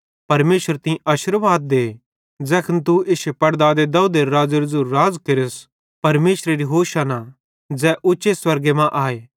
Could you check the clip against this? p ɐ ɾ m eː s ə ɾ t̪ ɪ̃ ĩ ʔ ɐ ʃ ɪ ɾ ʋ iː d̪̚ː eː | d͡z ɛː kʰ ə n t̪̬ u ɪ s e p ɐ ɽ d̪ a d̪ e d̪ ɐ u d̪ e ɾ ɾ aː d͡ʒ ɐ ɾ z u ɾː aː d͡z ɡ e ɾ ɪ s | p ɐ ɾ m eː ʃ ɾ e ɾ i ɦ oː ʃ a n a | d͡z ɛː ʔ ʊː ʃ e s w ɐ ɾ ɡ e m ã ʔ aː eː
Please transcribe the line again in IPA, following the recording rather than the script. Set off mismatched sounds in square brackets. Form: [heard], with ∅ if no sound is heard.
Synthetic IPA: p ɐ ɾ m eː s ə ɾ t̪ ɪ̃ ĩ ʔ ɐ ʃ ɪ ɾ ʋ [aː] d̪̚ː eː | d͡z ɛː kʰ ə n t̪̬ u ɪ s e p ɐ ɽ d̪ a d̪ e d̪ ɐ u d̪ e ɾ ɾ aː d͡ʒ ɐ ɾ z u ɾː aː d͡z [k] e ɾ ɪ s | p ɐ ɾ m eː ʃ ɾ e ɾ i ɦ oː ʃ a n a | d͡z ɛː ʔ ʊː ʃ e s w ɐ ɾ ɡ e m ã ʔ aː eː